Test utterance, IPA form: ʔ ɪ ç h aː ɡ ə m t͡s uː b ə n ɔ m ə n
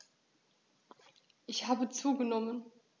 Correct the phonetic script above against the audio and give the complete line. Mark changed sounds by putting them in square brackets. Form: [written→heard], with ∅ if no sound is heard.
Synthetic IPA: ʔ ɪ ç h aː [ɡ→b] ə [m→∅] t͡s uː [b→ɡ] ə n ɔ m ə n